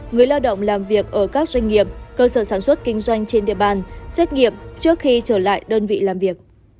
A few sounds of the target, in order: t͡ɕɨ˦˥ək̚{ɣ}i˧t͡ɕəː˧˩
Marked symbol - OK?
no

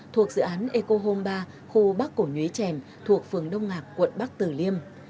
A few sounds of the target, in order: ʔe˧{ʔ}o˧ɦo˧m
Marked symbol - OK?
no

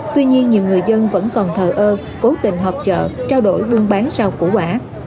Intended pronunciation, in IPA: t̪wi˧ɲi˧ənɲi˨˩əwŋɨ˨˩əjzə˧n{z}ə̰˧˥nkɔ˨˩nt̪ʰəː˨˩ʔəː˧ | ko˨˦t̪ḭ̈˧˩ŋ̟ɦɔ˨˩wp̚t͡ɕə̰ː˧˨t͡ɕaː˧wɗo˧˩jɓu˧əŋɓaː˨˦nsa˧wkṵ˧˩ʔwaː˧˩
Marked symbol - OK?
no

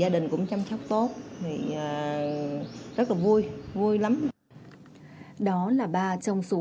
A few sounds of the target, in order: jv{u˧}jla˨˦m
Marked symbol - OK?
yes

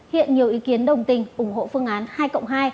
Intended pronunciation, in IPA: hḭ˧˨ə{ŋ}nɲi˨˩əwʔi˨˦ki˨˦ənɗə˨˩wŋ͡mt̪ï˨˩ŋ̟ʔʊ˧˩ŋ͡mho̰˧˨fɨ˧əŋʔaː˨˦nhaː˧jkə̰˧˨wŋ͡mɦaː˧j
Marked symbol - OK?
no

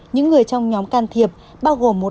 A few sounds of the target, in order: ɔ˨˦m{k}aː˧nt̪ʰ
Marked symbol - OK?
yes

